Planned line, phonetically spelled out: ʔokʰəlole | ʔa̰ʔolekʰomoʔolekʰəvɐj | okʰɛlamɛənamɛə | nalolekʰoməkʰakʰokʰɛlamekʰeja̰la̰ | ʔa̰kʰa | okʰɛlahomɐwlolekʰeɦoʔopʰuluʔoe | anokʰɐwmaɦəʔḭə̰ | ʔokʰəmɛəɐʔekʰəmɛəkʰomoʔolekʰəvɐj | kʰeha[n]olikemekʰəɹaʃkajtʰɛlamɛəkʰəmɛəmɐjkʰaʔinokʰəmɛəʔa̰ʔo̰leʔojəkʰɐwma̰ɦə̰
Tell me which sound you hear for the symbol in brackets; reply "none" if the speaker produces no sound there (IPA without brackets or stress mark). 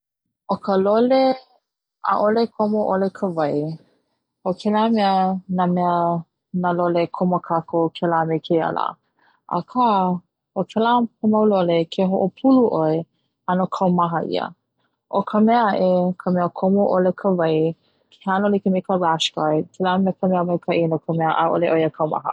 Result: n